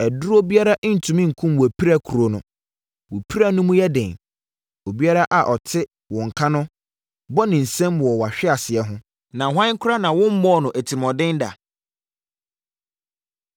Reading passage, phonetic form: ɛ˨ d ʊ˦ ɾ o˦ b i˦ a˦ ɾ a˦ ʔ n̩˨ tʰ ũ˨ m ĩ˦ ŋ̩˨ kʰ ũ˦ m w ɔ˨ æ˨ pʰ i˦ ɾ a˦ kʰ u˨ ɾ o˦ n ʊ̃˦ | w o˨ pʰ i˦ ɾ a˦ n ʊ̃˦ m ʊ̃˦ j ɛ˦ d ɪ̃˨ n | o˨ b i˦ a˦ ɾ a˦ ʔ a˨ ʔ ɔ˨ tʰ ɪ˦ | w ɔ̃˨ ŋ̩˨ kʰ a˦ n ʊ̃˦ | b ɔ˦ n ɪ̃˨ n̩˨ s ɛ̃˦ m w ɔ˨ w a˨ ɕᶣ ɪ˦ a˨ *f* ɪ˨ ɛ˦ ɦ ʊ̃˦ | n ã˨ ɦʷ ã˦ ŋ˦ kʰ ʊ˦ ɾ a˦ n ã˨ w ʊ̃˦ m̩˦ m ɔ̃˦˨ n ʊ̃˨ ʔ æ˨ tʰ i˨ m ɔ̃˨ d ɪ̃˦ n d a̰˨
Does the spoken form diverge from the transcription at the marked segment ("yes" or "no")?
yes